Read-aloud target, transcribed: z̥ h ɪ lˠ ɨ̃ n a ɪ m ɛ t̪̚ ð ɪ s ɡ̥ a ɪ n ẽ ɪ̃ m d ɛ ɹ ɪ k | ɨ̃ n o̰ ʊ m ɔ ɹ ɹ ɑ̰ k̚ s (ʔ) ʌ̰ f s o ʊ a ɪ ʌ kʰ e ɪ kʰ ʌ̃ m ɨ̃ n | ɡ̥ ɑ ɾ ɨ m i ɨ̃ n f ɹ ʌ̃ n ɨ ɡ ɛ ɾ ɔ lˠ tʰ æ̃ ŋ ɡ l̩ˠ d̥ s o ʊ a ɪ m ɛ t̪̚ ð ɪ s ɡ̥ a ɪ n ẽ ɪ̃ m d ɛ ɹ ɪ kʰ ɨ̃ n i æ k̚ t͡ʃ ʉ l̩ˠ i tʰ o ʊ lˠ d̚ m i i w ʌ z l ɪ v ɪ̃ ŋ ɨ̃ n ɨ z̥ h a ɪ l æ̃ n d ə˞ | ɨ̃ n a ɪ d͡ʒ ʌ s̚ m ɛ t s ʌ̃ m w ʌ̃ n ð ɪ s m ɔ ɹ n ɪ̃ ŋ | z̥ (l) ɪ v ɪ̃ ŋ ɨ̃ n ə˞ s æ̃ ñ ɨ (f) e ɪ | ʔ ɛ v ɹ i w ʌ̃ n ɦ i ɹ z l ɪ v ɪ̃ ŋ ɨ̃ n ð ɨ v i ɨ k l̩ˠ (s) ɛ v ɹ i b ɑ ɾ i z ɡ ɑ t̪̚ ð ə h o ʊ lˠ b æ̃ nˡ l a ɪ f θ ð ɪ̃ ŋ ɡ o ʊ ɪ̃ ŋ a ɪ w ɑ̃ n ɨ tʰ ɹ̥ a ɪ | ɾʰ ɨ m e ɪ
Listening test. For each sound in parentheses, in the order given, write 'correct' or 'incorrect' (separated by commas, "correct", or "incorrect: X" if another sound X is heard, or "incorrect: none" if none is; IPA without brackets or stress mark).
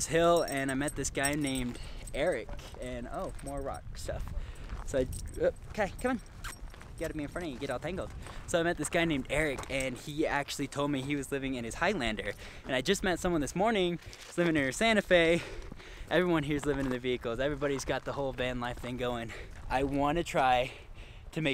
incorrect: t, correct, correct, incorrect: z